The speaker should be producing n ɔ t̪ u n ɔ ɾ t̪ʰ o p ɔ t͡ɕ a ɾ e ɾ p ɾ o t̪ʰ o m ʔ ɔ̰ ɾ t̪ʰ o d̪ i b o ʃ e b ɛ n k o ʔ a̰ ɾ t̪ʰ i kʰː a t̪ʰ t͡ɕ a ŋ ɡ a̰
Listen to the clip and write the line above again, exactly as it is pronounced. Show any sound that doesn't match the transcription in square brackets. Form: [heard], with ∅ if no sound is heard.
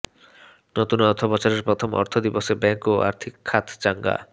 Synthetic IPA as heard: n [o] t̪ u n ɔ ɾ t̪ʰ o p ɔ t͡ɕ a ɾ e ɾ p ɾ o t̪ʰ o m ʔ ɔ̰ ɾ t̪ʰ o d̪ i b o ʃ e b ɛ [ŋ] k o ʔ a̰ ɾ t̪ʰ i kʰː a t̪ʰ t͡ɕ a ŋ ɡ a̰

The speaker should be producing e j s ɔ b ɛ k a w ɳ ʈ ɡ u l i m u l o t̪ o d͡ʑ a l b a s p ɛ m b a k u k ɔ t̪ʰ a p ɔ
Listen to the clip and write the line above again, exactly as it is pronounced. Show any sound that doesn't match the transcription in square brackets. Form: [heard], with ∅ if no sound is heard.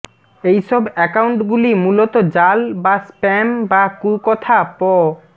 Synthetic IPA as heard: e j [ʃ] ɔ b ɛ k a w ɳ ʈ ɡ u l i m u l o t̪ o d͡ʑ a l b a s p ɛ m b a k u k ɔ t̪ʰ a p ɔ

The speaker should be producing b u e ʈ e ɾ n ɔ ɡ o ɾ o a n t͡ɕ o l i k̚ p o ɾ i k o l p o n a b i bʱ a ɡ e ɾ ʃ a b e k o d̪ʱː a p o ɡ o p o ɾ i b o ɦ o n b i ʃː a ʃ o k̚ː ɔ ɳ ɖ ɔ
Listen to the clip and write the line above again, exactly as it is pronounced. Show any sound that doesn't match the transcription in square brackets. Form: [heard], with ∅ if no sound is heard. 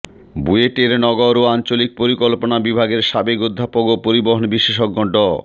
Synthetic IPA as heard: b u e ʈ e ɾ n ɔ ɡ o ɾ o a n t͡ɕ o l i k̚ p o ɾ i k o l p o n a b i bʱ a ɡ e ɾ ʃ a b e k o d̪ʱː a p o ɡ o p o ɾ i b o ɦ o n b i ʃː [e] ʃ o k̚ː ɔ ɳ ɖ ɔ

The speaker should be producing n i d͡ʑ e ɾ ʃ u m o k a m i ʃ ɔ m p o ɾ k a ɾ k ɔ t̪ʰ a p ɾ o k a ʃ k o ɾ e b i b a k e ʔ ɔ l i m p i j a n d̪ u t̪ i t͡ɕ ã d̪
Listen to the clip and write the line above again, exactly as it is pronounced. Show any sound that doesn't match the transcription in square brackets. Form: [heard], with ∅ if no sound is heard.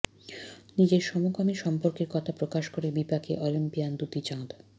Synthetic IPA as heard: n i d͡ʑ e ɾ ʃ [ɔ] m o k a m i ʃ ɔ m p o ɾ k [e] ɾ k ɔ t̪ʰ a p ɾ o k a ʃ k o ɾ e b i [p] a k e ʔ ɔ l i m p i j a n d̪ u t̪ i t͡ɕ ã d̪

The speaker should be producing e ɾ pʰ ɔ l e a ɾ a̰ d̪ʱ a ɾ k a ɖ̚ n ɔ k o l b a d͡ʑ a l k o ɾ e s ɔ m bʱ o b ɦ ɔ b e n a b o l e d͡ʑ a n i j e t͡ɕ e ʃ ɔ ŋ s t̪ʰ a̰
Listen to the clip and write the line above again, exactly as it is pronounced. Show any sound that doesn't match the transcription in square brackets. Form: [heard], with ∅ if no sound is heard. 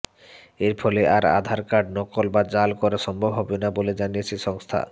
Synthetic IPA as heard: e ɾ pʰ ɔ l e a ɾ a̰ d̪ʱ a ɾ k a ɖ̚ n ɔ k o l b a d͡ʑ a l k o ɾ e [ʃ] ɔ m bʱ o b ɦ ɔ b e n a b o l e d͡ʑ a n i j e [t͡ɕʰ] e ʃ ɔ ŋ s t̪ʰ a̰

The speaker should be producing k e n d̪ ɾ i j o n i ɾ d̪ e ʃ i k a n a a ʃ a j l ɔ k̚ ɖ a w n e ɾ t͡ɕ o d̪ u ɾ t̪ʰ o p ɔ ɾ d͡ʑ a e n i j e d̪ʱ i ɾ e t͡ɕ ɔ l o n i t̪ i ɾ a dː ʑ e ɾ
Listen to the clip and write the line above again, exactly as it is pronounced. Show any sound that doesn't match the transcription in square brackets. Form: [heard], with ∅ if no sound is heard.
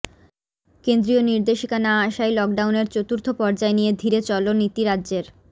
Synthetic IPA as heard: k e n d̪ ɾ i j o n i ɾ d̪ e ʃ i k a n a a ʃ a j l ɔ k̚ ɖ a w n e ɾ t͡ɕ o [t̪] u ɾ t̪ʰ o p ɔ ɾ d͡ʑ a e n i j e d̪ʱ i ɾ e t͡ɕ ɔ l o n i t̪ i ɾ a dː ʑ e ɾ

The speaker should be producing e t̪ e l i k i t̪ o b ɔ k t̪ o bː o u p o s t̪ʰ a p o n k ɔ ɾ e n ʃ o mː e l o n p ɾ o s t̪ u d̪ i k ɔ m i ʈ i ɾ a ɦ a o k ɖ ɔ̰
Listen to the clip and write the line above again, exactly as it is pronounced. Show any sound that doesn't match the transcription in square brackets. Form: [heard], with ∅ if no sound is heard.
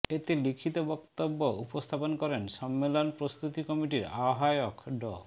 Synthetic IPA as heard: e t̪ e l i [kʰ] i t̪ o b ɔ k t̪ o bː o u p o s t̪ʰ a p o n k ɔ ɾ e n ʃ [ɔ] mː e l o n p ɾ o s t̪ u [t̪] i k ɔ m i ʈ i ɾ a ɦ a o k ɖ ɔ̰

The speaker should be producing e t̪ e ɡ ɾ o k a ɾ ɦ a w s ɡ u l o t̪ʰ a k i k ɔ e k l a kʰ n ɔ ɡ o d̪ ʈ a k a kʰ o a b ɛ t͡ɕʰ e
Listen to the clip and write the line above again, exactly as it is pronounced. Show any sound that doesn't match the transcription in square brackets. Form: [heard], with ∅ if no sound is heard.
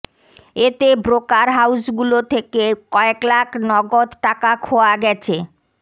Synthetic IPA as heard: e t̪ e [b] ɾ o k a ɾ ɦ a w s ɡ u l o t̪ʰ [e] k [e] k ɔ e k l a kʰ n ɔ ɡ o d̪ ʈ a k a kʰ o a [ɡ] ɛ t͡ɕʰ e

